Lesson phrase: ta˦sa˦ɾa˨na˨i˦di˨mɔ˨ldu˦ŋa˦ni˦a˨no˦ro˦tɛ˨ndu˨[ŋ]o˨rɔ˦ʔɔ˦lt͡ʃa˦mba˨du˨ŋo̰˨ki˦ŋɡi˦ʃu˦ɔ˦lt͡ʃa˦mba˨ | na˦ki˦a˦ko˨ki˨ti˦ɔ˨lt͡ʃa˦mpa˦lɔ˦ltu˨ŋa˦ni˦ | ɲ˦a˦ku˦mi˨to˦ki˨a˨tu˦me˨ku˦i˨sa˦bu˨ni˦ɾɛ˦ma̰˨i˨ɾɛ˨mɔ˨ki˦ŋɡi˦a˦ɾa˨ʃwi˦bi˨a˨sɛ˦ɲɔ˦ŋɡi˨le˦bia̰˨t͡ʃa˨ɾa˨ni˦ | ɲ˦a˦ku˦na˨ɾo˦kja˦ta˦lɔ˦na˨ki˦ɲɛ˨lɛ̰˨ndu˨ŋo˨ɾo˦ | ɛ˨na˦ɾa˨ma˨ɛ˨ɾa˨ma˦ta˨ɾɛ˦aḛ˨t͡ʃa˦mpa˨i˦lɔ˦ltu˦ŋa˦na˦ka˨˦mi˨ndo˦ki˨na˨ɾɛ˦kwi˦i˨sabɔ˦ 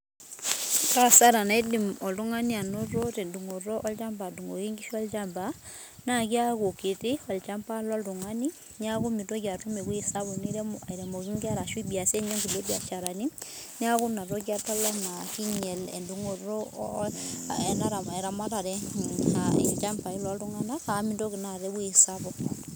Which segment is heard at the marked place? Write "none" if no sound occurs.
ŋ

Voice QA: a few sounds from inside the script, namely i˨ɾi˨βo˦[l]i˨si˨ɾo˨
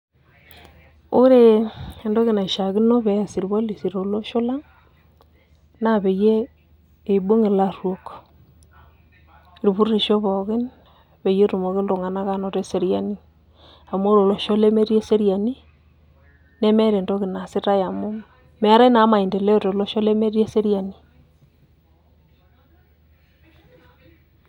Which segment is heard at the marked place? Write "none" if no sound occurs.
l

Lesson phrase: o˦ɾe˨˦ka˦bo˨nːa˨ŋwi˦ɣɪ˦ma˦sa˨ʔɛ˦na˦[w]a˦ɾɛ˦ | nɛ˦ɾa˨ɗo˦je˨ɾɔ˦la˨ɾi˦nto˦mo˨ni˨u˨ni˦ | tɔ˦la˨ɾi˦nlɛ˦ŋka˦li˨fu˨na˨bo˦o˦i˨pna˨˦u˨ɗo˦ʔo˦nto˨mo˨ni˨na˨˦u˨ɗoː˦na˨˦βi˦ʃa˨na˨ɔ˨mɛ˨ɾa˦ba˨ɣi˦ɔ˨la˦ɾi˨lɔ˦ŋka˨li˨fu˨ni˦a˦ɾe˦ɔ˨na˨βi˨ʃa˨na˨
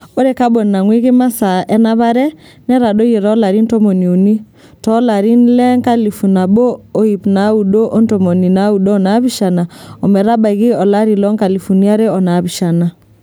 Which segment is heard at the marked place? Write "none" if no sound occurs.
β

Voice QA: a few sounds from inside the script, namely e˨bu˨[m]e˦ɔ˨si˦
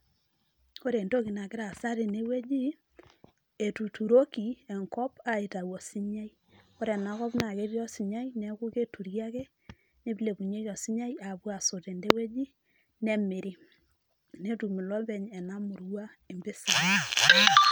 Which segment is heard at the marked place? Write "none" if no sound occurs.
ɲ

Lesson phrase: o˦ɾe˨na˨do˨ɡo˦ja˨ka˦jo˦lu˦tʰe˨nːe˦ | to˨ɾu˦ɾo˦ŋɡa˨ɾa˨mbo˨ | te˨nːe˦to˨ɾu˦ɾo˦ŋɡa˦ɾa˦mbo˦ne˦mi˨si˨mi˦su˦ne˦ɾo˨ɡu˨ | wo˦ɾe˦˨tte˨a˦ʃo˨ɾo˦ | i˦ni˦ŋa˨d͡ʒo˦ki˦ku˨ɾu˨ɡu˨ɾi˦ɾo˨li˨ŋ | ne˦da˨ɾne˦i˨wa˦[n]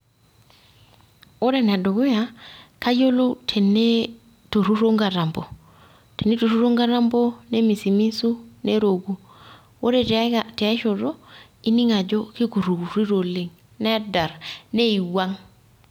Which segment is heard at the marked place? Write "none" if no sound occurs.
ŋ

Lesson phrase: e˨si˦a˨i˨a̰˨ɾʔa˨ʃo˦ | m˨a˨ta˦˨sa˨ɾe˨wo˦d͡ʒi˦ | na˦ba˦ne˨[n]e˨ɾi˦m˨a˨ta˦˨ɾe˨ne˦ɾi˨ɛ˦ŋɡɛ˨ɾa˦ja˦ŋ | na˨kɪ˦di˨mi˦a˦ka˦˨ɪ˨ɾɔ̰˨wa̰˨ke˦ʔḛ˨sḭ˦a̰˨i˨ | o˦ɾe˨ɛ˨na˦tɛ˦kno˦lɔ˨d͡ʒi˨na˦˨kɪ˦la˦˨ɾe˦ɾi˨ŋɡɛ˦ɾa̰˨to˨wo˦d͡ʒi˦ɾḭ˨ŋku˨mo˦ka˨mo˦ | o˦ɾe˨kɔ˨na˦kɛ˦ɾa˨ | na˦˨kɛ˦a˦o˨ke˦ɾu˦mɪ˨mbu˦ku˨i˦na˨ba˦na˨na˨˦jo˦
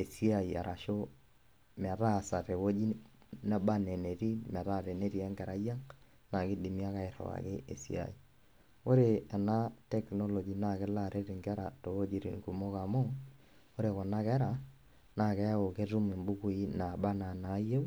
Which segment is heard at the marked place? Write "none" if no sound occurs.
n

